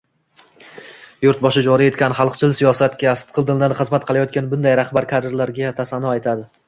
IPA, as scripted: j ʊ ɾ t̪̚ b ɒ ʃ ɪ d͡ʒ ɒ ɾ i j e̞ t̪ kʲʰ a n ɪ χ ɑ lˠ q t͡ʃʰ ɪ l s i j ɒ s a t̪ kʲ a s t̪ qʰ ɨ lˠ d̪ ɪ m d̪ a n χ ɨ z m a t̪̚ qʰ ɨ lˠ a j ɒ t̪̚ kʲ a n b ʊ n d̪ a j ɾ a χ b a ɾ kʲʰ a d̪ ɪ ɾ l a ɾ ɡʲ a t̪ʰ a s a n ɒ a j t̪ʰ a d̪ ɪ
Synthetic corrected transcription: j ʊ ɾ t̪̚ b ɒ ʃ ɪ d͡ʒ ɒ ɾ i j e̞ t̪ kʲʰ a n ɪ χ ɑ lˠ q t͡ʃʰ ɪ l s i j ɒ s a t̪ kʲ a s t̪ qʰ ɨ lˠ d̪ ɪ n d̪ a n χ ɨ z m a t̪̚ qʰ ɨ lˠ a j ɒ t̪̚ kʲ a n b ʊ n d̪ a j ɾ a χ b a ɾ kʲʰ a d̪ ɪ ɾ l a ɾ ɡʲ a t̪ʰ a s a n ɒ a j t̪ʰ a d̪ ɪ